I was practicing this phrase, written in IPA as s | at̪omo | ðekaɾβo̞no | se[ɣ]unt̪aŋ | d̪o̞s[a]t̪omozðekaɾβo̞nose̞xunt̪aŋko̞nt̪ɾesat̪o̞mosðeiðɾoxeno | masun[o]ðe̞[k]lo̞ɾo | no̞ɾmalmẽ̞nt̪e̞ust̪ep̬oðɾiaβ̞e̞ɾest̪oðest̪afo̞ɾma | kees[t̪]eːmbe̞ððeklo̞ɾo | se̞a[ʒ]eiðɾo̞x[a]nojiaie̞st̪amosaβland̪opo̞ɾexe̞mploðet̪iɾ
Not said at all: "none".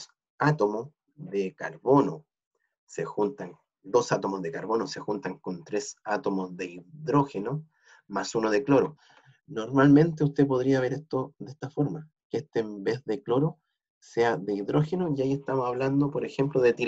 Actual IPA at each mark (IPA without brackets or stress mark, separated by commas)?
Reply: x, a, o, k, t̪, ð, e